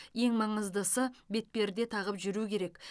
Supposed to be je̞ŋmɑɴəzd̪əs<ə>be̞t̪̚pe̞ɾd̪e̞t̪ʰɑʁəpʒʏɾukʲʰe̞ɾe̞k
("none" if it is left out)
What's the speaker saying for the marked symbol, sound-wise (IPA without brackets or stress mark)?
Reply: ə